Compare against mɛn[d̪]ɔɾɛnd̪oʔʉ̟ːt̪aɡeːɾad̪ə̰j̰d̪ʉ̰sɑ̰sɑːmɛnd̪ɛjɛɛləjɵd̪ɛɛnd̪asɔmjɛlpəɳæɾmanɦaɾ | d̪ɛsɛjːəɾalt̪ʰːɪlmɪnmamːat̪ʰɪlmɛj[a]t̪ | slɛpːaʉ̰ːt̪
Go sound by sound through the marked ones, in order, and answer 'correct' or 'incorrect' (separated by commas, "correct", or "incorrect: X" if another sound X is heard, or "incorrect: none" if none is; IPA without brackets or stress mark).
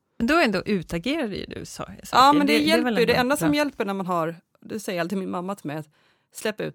correct, correct